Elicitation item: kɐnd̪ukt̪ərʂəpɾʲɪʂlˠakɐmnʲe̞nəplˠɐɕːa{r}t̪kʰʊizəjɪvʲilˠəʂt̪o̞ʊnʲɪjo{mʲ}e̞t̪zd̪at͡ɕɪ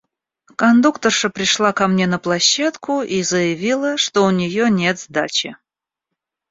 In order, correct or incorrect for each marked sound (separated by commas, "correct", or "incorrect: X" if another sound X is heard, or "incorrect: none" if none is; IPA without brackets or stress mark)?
incorrect: none, incorrect: nʲ